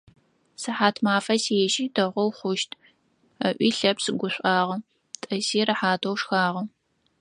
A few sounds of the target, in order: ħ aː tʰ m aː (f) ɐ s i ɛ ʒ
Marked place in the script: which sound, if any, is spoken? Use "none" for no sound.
f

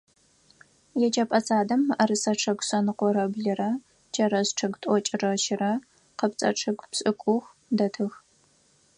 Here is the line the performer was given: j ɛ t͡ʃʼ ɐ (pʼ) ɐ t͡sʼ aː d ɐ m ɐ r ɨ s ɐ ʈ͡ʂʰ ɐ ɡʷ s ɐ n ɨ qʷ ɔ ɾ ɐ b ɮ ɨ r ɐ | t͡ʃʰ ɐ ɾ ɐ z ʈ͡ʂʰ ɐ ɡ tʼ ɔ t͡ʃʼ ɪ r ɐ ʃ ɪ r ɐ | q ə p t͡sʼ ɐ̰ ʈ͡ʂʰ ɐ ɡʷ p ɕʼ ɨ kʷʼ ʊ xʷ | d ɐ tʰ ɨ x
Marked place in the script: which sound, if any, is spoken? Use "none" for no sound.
pʼ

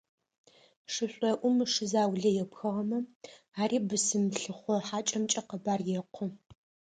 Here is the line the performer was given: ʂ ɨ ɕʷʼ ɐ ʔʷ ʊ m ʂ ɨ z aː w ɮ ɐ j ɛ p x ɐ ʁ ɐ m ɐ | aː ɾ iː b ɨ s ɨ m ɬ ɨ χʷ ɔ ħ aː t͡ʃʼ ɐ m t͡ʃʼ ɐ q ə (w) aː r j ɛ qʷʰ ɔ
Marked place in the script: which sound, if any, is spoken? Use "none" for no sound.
b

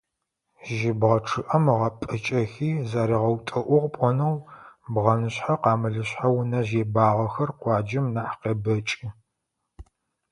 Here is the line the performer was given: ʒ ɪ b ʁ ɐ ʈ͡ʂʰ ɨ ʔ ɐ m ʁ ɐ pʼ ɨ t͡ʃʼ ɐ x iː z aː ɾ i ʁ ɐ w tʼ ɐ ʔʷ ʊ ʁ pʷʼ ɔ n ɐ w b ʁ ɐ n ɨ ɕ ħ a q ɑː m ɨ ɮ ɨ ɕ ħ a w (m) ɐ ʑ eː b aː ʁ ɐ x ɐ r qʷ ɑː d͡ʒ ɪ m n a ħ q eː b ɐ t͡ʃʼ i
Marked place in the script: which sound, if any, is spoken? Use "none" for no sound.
n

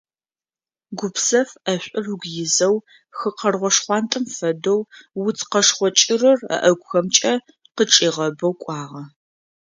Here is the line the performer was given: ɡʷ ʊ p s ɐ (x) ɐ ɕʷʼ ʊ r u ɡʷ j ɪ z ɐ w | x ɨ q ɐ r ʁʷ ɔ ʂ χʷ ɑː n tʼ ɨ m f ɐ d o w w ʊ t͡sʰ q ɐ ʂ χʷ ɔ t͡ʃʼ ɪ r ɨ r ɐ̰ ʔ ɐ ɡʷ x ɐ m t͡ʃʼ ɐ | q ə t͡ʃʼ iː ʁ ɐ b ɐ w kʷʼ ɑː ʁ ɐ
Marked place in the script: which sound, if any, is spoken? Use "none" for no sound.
f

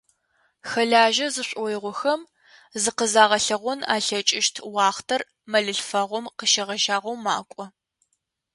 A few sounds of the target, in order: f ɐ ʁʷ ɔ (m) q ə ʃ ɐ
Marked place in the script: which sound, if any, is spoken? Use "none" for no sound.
m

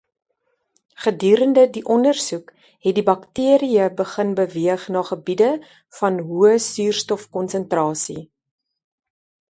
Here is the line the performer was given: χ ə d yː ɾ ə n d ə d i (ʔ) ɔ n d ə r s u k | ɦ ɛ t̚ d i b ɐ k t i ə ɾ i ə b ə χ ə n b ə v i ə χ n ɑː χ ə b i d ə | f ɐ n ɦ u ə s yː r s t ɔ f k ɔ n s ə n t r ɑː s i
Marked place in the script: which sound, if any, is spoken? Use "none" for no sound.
ʔ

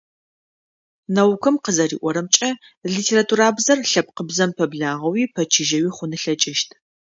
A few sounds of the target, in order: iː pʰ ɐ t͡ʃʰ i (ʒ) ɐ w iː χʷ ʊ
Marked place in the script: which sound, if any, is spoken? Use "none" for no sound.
ʒ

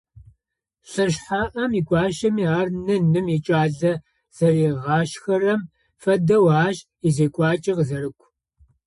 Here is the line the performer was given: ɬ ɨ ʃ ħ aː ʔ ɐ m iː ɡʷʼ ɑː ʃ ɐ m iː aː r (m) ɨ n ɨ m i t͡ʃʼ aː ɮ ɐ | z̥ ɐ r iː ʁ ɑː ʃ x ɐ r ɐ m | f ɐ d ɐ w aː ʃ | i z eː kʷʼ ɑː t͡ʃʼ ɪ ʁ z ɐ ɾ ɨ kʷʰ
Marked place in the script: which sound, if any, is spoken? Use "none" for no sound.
n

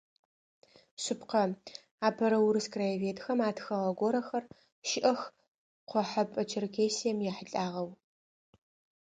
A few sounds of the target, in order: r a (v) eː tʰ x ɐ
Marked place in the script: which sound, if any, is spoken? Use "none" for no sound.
v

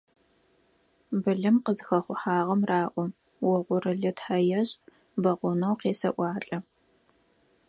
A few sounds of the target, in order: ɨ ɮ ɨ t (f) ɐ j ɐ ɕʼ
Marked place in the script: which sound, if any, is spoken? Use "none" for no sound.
ħ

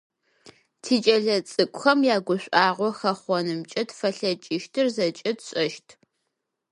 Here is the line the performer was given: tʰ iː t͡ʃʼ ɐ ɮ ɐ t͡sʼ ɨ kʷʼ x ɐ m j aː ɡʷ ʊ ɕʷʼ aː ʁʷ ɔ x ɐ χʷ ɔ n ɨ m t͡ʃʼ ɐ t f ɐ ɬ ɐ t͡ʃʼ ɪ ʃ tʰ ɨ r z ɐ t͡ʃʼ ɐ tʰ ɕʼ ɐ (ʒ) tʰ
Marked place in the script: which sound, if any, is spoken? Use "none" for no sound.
ʃ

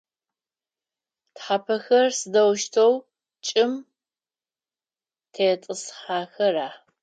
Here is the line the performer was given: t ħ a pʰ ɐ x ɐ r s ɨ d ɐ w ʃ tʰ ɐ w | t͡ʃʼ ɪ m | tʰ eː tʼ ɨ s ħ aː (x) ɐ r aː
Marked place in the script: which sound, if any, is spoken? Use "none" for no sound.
x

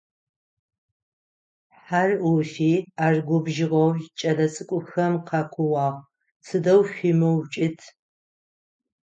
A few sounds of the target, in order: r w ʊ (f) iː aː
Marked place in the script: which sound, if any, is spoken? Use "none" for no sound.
f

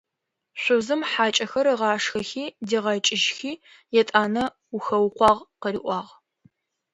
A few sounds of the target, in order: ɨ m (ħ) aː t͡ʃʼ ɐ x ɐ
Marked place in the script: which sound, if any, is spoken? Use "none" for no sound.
ħ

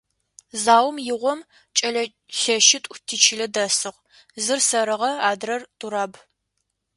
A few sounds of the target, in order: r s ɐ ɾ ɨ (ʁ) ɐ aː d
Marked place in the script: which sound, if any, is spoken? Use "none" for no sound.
ʁ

